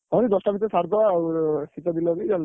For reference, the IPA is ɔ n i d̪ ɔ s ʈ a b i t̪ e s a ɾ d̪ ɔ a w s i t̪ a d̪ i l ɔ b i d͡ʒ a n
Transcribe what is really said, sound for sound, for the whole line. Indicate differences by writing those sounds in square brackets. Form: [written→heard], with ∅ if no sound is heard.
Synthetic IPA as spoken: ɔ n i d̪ ɔ s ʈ a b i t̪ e s a ɾ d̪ ɔ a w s i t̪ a d̪ i l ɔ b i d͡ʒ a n